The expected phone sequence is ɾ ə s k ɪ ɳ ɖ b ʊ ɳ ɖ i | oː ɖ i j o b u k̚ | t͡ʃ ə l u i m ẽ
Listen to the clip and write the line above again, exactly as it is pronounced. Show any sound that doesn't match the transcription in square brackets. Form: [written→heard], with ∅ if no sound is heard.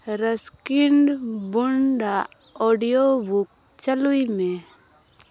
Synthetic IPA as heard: ɾ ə s k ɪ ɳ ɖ b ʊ ɳ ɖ [i→a] | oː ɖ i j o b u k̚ | t͡ʃ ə l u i m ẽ